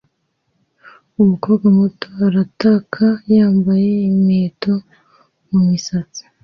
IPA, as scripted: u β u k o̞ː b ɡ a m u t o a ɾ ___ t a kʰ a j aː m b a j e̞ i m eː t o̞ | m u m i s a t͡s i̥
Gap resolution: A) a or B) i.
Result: A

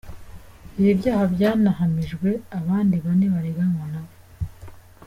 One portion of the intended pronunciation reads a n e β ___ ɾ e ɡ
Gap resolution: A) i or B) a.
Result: B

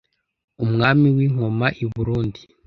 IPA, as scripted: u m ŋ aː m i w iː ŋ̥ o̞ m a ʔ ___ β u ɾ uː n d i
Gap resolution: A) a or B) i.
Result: B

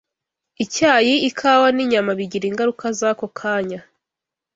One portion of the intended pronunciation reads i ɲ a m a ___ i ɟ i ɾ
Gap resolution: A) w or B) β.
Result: B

